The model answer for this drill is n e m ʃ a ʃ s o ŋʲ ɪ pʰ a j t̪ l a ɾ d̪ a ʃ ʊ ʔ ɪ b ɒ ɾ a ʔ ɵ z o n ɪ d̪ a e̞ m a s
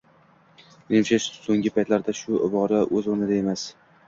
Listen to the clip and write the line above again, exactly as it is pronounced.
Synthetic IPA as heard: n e m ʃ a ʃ s o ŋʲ ɪ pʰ a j t̪ l a ɾ d̪ a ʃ ʊ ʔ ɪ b ɒ ɾ a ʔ ɵ z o n ɪ d̪ a e̞ m a s